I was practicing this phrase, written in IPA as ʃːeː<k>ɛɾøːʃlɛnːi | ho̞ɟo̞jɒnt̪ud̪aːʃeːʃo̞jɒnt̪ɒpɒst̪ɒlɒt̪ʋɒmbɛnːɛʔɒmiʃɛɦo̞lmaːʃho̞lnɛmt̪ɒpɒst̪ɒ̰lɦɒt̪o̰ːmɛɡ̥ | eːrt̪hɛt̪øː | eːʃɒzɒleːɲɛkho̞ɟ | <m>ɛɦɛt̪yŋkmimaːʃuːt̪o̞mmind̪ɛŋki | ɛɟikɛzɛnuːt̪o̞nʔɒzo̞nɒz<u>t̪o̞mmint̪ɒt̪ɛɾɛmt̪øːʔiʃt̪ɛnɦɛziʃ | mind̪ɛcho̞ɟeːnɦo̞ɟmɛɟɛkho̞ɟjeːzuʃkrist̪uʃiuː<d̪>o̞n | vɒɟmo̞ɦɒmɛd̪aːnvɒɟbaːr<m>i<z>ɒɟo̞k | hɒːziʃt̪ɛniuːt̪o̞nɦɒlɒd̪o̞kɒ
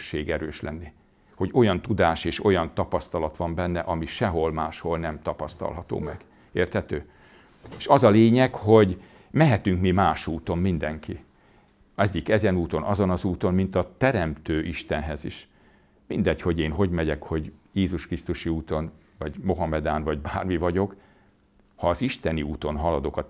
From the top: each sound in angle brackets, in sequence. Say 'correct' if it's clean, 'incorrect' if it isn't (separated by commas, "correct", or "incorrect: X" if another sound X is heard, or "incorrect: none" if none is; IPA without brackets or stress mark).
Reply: incorrect: ɡ, correct, incorrect: uː, incorrect: t̪, correct, incorrect: v